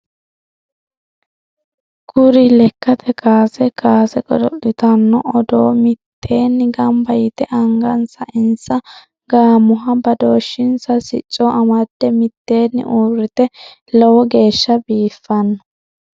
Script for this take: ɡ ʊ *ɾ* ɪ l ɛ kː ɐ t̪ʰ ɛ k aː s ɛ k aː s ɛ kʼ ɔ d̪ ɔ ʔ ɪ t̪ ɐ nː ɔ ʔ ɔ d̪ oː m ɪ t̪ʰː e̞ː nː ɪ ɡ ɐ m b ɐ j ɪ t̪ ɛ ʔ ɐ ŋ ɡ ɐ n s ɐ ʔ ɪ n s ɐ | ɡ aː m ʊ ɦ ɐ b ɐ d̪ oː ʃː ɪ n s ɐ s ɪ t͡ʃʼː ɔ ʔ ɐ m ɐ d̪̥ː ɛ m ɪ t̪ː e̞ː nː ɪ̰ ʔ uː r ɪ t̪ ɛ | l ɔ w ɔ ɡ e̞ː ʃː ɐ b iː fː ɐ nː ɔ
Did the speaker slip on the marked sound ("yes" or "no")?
no